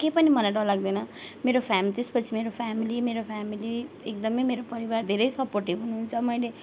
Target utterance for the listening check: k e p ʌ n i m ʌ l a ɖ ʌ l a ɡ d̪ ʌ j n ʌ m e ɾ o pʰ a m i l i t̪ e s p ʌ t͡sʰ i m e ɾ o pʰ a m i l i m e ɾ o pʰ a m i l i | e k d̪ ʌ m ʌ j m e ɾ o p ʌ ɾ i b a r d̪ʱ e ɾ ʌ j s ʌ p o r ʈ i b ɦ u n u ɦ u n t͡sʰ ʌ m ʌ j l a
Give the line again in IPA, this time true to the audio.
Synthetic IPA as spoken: k e p ʌ n i m ʌ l a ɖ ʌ l a ɡ d̪ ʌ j n ʌ m e ɾ o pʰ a m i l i t̪ e s p ʌ t͡sʰ i m e ɾ o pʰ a m i l i m e ɾ o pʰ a m i l i | e k d̪ ʌ m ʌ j m e ɾ o p ʌ ɾ i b a r d̪ʱ e ɾ ʌ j s ʌ p o r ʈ i b ɦ u n u ɦ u n t͡sʰ ʌ m ʌ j l e